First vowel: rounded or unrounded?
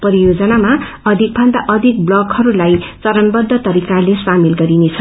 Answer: unrounded